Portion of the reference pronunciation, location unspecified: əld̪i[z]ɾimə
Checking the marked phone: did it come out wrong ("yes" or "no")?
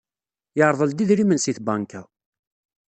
yes